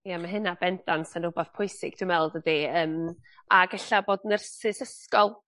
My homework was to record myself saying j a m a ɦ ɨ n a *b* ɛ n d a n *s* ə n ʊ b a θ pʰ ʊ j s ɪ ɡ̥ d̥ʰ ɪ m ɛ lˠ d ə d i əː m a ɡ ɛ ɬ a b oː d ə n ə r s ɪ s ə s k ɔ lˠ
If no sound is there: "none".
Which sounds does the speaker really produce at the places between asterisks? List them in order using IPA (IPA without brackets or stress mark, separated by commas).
b, s